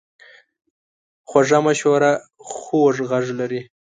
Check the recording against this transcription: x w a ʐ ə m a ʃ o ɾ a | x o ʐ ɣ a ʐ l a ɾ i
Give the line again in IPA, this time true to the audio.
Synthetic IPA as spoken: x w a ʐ a m a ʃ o ɾ a | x o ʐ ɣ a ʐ l a ɾ i